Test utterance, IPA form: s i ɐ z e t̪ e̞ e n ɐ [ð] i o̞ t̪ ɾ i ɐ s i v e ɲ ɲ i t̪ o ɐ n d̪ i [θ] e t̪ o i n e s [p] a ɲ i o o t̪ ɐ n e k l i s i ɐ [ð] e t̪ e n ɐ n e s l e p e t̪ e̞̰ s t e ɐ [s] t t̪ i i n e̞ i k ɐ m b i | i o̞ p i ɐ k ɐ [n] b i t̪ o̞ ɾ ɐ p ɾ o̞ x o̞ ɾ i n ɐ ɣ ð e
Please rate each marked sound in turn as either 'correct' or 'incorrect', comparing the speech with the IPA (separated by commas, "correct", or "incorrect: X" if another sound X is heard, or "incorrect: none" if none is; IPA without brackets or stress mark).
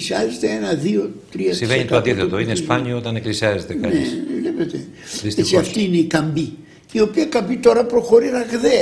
correct, correct, correct, incorrect: z, incorrect: f, incorrect: m